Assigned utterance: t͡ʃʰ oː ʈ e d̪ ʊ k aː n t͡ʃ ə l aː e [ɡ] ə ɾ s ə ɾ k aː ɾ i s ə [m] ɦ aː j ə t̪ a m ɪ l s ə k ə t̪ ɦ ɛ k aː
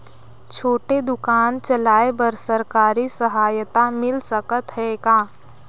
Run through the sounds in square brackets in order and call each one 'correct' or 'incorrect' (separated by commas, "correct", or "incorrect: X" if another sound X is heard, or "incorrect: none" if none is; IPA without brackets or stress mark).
incorrect: b, incorrect: none